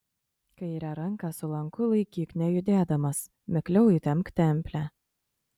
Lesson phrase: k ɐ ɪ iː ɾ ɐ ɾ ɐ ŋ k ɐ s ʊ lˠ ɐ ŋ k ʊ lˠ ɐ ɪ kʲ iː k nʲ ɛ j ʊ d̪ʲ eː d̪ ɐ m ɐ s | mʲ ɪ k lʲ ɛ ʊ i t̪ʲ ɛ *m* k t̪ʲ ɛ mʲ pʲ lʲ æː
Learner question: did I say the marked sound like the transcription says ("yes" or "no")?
yes